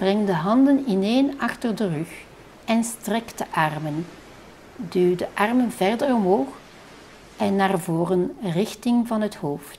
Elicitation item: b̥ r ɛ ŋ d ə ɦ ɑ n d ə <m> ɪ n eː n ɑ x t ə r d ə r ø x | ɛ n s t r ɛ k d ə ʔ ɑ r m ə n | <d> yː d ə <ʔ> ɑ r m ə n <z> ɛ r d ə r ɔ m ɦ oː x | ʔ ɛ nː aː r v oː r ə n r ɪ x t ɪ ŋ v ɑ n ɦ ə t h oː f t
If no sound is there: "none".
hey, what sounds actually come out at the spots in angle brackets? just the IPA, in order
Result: n, d, ʔ, v

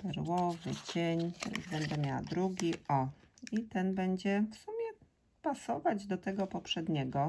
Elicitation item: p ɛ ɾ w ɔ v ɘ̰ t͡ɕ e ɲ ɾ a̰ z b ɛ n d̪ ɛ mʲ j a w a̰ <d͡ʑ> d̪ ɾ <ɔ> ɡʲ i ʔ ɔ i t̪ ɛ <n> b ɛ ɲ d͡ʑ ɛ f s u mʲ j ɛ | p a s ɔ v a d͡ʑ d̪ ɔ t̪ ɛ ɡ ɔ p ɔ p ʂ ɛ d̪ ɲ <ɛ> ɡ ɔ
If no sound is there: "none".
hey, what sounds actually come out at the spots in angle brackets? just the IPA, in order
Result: none, u, n, ɛ

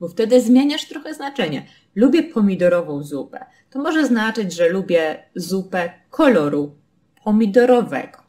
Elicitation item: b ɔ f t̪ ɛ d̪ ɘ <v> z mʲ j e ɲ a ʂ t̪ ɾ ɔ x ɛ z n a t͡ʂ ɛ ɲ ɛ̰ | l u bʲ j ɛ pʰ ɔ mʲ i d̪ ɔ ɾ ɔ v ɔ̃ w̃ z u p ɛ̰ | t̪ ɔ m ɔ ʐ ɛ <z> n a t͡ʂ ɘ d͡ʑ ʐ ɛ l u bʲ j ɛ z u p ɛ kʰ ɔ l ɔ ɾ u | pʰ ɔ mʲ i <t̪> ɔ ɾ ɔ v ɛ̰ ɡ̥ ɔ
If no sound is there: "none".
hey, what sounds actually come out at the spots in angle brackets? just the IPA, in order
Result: none, z, d̪

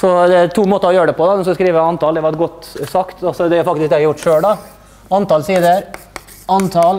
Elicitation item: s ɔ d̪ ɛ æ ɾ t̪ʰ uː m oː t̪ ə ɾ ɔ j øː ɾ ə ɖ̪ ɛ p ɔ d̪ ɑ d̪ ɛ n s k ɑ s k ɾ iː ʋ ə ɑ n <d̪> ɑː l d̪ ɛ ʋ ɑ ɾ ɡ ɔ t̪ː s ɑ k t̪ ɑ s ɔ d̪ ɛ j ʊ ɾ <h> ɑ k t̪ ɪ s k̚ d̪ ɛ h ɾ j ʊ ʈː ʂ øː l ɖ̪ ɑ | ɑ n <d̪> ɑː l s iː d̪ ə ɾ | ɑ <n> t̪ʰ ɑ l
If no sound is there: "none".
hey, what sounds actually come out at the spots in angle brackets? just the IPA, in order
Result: t̪, f, t̪, n

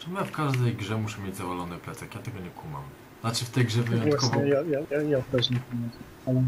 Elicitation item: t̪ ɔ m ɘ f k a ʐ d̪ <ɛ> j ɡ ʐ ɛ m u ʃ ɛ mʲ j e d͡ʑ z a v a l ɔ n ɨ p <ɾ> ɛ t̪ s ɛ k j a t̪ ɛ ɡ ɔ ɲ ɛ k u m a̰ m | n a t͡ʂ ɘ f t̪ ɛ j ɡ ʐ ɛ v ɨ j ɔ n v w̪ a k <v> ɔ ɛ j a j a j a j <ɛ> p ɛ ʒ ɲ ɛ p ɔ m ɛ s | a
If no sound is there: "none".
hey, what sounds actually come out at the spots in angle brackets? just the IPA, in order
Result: ɛ, l, v, a

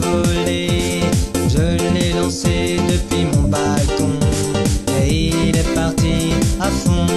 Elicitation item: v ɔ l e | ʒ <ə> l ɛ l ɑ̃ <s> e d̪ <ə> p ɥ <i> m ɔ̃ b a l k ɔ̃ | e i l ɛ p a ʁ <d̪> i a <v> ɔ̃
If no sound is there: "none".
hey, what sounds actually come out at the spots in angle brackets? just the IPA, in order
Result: ə, s, ə, i, t̪, f

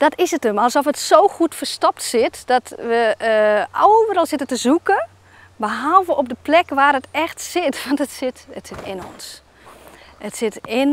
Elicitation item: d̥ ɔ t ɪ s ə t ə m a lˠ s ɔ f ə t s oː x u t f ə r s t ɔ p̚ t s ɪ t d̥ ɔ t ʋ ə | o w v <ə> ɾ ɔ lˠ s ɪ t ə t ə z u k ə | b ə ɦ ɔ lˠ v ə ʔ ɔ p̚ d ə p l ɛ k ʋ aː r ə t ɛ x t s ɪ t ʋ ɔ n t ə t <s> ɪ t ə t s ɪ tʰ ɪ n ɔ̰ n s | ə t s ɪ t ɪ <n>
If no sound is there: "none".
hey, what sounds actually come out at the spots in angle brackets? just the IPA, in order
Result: ə, s, n

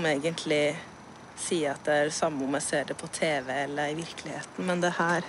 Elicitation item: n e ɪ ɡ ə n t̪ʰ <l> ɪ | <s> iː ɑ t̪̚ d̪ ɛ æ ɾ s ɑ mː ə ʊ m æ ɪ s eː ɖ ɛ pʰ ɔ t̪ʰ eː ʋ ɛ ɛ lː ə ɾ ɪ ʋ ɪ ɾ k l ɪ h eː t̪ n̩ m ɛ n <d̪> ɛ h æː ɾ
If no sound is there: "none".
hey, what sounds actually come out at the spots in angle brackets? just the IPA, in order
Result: l, s, d̪

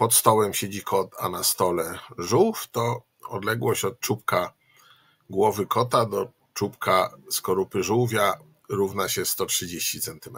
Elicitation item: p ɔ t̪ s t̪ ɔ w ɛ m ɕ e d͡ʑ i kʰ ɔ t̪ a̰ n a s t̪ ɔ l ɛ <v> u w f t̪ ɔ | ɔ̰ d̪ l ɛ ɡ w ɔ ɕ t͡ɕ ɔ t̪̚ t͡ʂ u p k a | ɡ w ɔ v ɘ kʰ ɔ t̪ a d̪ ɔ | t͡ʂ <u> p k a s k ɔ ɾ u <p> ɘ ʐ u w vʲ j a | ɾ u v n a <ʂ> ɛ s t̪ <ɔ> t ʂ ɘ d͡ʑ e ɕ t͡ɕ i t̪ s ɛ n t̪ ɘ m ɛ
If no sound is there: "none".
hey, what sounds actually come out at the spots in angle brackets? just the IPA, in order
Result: ʐ, u, p, ɕ, ɔ

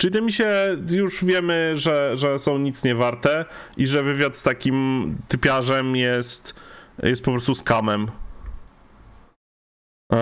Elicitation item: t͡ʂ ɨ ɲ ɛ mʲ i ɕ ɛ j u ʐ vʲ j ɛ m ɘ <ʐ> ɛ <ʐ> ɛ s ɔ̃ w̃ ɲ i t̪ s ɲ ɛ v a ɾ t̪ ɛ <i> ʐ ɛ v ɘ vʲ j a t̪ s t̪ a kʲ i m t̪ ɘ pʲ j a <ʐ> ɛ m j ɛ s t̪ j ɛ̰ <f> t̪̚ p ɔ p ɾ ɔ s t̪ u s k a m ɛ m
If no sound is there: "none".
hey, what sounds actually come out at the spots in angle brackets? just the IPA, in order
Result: ʐ, ʐ, i, ʐ, s

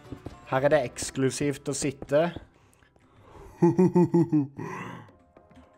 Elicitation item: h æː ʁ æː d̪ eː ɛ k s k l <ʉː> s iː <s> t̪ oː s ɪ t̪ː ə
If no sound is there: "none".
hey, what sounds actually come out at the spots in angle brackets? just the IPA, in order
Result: ʉ, f

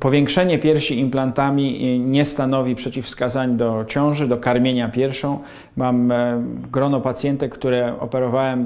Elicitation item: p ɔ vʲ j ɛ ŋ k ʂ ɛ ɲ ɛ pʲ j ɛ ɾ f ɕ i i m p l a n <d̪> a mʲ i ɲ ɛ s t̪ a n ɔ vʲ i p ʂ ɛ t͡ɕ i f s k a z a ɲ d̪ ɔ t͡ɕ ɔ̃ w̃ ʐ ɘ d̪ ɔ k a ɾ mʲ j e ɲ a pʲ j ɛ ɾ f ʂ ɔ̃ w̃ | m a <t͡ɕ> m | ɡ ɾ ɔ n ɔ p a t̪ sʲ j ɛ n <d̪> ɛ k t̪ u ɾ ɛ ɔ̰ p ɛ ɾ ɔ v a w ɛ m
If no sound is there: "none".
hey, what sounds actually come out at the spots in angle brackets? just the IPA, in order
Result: t̪, none, t̪

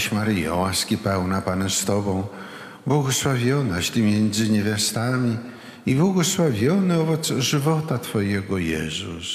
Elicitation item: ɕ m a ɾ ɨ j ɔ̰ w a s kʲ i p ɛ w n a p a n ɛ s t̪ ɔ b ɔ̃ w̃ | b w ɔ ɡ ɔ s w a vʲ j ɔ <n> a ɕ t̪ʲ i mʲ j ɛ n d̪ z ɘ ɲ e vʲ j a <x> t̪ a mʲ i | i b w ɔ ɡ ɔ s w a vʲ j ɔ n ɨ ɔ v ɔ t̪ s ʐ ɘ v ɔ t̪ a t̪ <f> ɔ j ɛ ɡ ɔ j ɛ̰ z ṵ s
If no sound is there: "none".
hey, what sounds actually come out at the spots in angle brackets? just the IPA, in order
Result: n, s, f

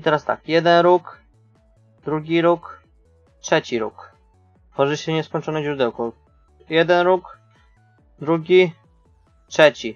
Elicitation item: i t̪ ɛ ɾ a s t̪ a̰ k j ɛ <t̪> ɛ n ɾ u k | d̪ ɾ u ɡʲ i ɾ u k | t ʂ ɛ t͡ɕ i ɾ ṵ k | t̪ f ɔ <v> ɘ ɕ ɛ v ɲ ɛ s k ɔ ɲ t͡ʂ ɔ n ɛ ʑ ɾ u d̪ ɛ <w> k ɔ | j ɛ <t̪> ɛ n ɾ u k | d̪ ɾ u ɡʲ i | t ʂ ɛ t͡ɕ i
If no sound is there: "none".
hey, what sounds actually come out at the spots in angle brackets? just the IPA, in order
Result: d̪, ʐ, w, d̪

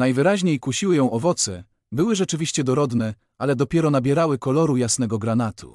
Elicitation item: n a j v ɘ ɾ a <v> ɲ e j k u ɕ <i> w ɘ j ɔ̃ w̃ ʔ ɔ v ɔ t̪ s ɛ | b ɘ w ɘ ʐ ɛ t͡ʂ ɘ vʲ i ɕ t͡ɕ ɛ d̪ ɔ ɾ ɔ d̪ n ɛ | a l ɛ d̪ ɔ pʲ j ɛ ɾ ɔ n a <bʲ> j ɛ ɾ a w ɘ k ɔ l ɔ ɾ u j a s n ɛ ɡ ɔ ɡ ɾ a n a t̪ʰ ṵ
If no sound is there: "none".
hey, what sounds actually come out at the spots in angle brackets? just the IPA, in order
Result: ʑ, i, bʲ

